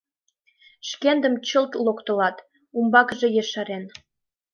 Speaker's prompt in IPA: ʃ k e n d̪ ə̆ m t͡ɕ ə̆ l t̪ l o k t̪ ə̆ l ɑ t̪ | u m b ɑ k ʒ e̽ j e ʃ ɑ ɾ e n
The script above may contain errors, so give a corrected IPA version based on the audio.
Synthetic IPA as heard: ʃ k e n d̪ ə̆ m t͡ɕ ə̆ l t̪ l o k t̪ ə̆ l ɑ t̪ | u m b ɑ k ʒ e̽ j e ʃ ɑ ɾ e n